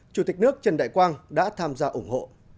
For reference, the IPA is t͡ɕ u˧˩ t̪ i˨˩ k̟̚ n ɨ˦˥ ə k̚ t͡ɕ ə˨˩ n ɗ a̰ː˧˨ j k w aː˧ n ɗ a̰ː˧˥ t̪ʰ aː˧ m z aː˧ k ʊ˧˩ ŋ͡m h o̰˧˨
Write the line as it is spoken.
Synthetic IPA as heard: t͡ɕ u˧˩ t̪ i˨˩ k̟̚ n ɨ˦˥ ə k̚ t͡ɕ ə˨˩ n ɗ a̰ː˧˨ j k w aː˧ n ɗ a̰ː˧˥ t̪ʰ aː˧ m z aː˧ ʔ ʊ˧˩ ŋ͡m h o̰˧˨